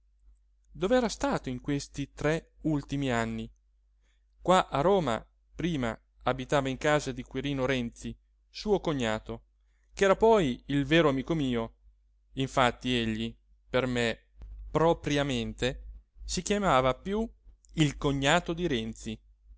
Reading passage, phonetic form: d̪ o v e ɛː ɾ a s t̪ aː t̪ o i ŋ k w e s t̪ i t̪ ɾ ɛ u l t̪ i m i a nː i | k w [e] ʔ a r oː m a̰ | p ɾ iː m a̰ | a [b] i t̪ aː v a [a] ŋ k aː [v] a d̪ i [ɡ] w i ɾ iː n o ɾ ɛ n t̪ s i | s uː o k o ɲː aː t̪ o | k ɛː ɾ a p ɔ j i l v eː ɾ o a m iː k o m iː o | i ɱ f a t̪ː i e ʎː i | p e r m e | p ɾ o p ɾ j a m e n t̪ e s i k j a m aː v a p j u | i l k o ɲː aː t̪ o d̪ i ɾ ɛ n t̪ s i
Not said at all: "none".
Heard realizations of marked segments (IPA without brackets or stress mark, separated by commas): a, b, i, z, k